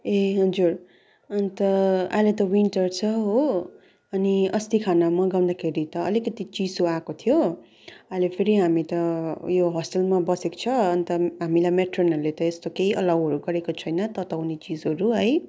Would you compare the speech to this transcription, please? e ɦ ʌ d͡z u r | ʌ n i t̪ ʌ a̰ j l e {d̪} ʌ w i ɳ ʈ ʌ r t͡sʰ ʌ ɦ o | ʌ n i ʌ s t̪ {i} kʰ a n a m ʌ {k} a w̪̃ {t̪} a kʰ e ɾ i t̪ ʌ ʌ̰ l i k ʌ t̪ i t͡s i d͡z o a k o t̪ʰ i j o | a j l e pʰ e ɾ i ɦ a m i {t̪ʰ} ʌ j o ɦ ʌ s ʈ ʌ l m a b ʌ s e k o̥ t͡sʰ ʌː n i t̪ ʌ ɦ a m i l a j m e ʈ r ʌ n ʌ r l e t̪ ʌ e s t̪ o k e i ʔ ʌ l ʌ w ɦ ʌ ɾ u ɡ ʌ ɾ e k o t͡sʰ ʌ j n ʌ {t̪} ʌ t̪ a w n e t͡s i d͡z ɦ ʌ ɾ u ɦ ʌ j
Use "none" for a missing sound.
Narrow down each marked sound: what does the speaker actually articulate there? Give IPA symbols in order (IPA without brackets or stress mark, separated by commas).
t̪, i, ɡ, d̪, t̪, t̪